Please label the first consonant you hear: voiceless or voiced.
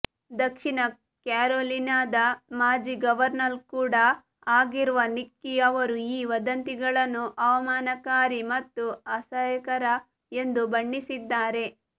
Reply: voiced